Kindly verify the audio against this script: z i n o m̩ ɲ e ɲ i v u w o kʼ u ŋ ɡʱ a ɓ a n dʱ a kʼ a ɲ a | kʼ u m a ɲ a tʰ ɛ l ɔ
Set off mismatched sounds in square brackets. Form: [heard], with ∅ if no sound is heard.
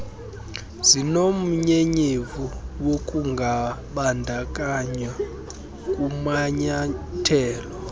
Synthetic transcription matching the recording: z i n o m̩ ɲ e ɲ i v u w o kʼ u ŋ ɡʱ a ɓ a n dʱ a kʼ a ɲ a | kʼ u m a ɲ a tʰ [ɛː] l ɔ